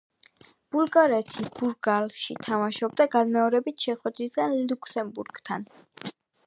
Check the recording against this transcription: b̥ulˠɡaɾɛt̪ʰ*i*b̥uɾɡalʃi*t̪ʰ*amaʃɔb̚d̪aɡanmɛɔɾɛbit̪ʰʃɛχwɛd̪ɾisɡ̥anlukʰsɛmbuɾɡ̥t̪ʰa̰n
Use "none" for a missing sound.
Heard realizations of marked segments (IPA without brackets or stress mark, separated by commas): i, t̪ʰ